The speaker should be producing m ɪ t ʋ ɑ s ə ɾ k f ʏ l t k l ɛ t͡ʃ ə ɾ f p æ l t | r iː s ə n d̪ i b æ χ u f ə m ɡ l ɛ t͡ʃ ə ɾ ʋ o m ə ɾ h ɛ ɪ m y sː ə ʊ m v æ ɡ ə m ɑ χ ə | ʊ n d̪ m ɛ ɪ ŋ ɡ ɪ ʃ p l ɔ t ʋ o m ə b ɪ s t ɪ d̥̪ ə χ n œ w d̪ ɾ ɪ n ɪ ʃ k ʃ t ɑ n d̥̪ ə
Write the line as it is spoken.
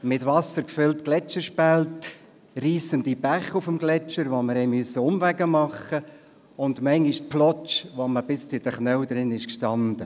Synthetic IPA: m ɪ t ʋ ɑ s ə ɾ k f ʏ l t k l ɛ t͡ʃ ə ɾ ʃ p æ l t | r iː s ə n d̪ i b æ χ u f ə m ɡ l ɛ t͡ʃ ə ɾ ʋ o m ə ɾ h ɛ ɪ m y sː ə ʊ m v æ ɡ ə m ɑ χ ə | ʊ n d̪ m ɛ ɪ ŋ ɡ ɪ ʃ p l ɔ t͡ʃ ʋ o m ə b ɪ s t͡s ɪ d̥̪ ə χ n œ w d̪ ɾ ɪ n ɪ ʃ k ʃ t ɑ n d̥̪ ə